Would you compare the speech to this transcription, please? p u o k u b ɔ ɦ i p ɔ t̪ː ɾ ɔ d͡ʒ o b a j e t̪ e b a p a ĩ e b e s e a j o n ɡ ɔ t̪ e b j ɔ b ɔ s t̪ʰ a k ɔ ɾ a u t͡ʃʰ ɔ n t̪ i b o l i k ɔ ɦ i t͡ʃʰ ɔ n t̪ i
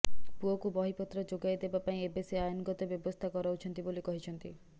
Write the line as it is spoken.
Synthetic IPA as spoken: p u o k u b ɔ ɦ i p ɔ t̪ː ɾ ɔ d͡ʒ o ɡ a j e d̪ e b a p a ĩ e b e s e a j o n ɡ ɔ t̪ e b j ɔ b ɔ s t̪ʰ a k ɔ ɾ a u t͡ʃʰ ɔ n t̪ i b o l i k ɔ ɦ i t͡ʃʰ ɔ n t̪ i